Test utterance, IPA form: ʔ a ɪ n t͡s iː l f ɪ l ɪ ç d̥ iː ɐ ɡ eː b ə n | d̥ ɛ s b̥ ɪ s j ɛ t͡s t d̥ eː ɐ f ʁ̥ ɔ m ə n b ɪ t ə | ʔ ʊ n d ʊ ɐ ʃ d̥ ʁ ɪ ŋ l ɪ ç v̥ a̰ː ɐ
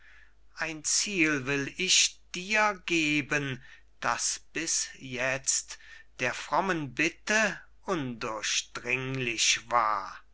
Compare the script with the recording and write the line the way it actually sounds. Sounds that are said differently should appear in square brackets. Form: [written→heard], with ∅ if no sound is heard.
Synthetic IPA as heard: ʔ a ɪ n t͡s iː l [f→v] ɪ l ɪ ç d̥ iː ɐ ɡ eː b ə n | d̥ [ɛ→a] s b̥ ɪ s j ɛ t͡s t d̥ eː ɐ f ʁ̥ ɔ m ə n b ɪ t ə | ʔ ʊ n d ʊ ɐ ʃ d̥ ʁ ɪ ŋ l ɪ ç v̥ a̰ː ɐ